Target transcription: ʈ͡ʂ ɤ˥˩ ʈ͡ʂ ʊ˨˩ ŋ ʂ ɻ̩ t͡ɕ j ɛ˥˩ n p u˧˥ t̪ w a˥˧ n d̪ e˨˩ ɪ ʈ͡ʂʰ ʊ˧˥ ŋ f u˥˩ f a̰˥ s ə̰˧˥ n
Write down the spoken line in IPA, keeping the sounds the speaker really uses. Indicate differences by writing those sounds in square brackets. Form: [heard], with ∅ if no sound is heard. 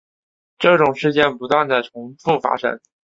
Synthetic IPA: ʈ͡ʂ ɤ˥˩ ʈ͡ʂ ʊ˨˩ ŋ ʂ ɻ̩ t͡ɕ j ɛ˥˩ n p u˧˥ t̪ w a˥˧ n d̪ [a˨˩] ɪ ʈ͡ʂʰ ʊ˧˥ ŋ f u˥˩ f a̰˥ [ʂ] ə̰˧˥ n